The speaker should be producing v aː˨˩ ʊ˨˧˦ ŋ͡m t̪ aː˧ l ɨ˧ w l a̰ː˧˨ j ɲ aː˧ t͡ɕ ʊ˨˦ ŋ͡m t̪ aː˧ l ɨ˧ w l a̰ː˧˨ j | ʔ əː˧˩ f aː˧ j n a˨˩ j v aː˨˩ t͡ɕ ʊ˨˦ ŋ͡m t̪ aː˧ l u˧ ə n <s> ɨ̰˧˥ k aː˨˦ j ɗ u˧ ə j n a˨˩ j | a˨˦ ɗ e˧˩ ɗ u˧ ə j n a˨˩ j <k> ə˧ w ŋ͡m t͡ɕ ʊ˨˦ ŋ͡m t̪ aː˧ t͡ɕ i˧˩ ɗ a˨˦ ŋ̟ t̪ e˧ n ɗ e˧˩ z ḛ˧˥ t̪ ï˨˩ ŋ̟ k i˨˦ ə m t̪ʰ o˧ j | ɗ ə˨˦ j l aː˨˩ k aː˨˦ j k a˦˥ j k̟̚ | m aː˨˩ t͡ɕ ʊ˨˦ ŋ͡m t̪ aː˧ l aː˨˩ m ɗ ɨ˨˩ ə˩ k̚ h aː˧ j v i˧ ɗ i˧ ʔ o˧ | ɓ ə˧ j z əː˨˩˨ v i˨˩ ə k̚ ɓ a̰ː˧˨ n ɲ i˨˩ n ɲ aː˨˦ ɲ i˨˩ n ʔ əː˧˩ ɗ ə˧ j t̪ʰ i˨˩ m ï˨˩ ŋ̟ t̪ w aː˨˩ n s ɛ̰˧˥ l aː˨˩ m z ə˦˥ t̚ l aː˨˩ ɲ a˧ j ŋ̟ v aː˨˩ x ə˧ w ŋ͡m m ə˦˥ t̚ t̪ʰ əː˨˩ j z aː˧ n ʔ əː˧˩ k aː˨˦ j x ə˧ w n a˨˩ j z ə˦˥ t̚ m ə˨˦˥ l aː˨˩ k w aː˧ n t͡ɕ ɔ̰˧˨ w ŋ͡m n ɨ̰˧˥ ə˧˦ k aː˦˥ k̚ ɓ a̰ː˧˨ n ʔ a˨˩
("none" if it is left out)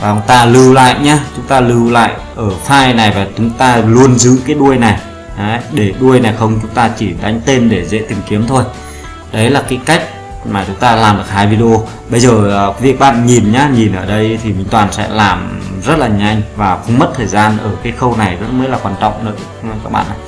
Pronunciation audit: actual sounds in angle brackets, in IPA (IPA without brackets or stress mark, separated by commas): z, x